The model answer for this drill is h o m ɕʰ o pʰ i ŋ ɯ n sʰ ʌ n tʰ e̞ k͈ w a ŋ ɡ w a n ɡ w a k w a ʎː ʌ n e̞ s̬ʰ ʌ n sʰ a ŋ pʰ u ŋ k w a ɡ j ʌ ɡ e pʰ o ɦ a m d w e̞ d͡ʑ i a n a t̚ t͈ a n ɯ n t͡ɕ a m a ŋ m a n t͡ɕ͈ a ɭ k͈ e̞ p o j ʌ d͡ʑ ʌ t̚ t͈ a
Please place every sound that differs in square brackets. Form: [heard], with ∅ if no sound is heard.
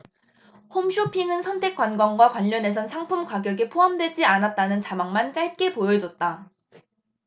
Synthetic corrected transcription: h o m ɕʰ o pʰ i ŋ ɯ n sʰ ʌ n tʰ e̞ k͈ w a [n] ɡ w a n ɡ w a k w a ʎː ʌ n e̞ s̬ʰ ʌ n sʰ a ŋ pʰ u [m] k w a ɡ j ʌ ɡ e pʰ o ɦ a m d w e̞ d͡ʑ i a n a t̚ t͈ a n ɯ n t͡ɕ a m a ŋ m a n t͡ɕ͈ a ɭ k͈ e̞ p o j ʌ d͡ʑ ʌ t̚ t͈ a